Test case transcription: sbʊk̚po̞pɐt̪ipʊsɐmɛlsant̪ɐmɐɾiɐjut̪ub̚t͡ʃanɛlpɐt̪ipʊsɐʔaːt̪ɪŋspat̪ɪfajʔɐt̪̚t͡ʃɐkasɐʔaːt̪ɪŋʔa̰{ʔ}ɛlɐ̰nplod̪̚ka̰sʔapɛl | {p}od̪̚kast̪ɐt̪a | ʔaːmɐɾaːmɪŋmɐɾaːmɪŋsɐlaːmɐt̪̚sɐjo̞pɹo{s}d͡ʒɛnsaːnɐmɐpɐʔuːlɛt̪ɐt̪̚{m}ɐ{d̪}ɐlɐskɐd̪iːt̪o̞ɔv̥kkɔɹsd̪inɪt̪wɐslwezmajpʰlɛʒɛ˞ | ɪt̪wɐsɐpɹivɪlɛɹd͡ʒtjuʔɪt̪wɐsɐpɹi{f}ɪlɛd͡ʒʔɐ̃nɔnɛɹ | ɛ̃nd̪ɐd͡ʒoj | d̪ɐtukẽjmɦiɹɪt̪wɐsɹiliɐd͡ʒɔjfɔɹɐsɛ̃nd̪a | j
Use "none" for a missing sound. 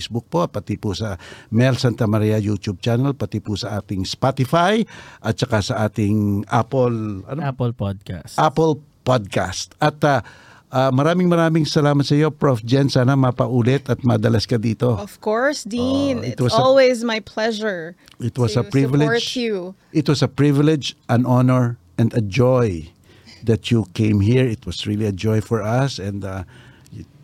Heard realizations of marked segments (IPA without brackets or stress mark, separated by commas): p, p, f, m, d̪, v